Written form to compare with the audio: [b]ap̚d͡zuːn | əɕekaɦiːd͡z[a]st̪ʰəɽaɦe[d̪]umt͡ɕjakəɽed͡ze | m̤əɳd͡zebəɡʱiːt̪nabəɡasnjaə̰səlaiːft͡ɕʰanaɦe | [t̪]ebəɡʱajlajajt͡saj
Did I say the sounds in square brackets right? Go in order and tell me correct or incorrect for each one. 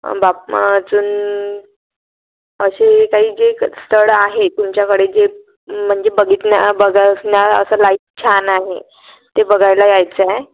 correct, incorrect, incorrect, correct

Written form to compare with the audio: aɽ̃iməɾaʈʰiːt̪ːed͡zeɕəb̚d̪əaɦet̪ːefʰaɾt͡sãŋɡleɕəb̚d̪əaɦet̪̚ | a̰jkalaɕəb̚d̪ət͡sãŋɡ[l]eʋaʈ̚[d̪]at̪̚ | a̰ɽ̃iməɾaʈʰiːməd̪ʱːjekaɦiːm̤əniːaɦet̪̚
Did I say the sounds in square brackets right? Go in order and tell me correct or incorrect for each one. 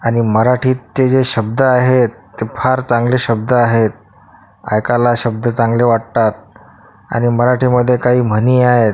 correct, incorrect

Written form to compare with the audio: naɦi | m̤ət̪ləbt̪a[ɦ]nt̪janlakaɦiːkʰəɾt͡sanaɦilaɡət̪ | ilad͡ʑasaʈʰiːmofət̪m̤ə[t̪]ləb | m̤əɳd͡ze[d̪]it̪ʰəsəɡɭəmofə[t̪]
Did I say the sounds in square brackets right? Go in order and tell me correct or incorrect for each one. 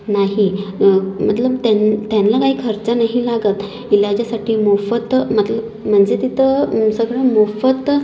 incorrect, correct, incorrect, correct

